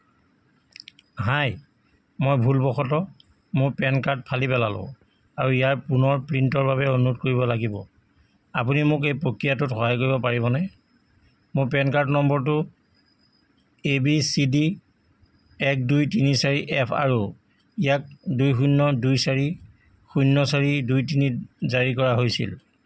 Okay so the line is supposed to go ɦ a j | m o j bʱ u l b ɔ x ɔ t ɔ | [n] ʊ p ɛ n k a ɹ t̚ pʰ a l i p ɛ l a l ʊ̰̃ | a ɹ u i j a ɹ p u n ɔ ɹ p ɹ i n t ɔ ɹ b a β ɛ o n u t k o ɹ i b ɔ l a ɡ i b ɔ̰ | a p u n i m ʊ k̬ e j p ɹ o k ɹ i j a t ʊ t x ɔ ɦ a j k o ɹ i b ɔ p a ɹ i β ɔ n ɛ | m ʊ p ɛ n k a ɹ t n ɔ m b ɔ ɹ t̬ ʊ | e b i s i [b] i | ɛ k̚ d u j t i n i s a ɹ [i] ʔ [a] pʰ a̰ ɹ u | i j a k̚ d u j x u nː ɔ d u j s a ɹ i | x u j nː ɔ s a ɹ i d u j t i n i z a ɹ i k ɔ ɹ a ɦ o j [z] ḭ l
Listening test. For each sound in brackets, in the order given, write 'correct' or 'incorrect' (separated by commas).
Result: incorrect, incorrect, correct, incorrect, incorrect